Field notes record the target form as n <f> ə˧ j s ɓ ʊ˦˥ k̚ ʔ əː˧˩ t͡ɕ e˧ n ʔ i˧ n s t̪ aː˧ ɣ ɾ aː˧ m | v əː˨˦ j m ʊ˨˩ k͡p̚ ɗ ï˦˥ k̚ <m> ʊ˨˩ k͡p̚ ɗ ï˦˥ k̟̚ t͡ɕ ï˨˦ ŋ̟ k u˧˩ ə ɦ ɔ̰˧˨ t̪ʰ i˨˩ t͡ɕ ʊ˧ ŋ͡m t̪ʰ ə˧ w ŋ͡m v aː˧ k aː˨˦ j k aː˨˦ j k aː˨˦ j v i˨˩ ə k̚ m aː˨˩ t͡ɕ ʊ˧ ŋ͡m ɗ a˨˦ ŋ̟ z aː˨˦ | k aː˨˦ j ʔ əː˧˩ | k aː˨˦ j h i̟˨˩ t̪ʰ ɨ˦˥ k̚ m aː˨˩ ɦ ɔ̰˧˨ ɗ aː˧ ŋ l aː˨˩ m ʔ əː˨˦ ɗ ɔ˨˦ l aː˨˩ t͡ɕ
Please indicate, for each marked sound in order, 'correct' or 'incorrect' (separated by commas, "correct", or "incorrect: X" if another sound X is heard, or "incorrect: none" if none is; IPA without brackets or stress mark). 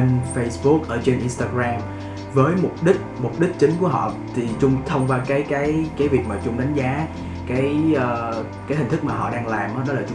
correct, correct